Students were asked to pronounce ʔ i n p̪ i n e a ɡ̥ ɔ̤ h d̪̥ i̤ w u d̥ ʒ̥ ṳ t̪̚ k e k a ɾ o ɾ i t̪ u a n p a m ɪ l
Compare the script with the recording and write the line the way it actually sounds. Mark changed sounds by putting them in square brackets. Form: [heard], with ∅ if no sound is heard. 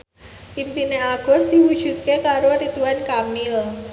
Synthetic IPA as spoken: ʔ i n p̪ i n e a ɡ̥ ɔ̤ [s] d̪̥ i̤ w u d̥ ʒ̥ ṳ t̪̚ k e k a ɾ o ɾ i t̪ u a n [k] a m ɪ l